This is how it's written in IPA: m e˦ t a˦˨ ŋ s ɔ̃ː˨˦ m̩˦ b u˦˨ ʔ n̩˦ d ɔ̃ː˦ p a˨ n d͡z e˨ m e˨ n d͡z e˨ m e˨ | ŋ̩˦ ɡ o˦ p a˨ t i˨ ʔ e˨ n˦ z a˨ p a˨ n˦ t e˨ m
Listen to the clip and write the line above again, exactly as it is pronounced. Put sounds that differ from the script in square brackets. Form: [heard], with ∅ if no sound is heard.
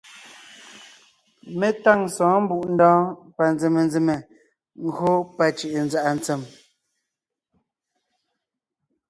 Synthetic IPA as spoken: m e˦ t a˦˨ ŋ s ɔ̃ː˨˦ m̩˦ b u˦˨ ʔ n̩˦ d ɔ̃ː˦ p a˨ n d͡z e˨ m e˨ n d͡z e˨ m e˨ | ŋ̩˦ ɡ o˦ p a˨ [t͡ʃ] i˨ ʔ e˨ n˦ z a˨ [ʔ] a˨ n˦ [t͡s] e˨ m